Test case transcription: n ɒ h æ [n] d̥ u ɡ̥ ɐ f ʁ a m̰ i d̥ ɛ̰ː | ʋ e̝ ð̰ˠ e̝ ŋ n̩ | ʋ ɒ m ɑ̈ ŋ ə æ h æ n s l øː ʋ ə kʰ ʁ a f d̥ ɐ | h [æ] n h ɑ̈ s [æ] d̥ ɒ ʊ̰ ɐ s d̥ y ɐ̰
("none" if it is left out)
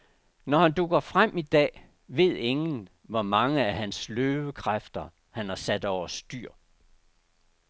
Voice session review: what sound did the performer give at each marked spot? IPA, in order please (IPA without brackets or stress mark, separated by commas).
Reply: n, æ, æ